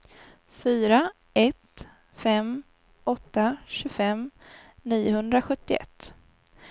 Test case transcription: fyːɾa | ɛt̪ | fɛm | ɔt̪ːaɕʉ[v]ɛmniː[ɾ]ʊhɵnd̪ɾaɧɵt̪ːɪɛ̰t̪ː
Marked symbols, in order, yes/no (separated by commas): no, no